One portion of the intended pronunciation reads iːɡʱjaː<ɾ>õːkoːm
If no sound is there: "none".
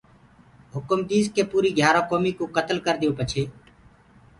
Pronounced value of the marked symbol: ɾ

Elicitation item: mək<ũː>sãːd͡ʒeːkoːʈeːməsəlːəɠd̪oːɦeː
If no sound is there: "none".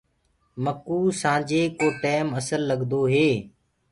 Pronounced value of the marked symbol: uː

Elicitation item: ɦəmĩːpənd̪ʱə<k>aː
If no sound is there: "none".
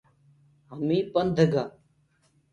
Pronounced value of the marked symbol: ɡ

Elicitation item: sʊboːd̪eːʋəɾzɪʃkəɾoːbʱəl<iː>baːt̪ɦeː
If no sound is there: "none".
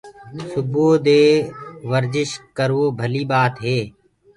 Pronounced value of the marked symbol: iː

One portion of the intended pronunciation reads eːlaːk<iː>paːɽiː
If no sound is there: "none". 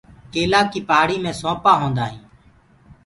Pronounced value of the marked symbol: iː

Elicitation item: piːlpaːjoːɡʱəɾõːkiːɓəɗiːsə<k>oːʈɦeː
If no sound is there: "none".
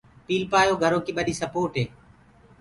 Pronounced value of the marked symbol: p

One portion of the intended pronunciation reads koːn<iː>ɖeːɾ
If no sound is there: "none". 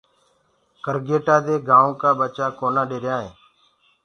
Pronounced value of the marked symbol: aː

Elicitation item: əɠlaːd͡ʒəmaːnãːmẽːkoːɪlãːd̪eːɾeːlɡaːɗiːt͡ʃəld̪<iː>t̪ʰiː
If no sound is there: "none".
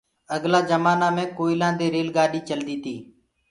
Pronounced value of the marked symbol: iː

